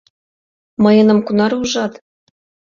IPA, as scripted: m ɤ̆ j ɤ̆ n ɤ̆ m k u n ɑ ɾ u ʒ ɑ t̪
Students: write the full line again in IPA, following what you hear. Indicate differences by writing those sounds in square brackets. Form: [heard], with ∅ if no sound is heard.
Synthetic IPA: m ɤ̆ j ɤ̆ n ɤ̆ m k u n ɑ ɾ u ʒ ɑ t̪